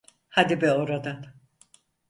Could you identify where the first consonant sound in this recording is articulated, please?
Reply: glottal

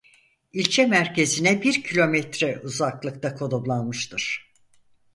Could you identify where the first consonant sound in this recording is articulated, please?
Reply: alveolar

